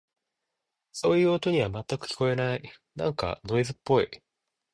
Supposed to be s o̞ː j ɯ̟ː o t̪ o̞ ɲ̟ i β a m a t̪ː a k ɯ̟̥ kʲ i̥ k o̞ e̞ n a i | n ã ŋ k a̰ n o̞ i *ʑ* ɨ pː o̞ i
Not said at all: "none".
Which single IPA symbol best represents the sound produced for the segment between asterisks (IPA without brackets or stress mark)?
z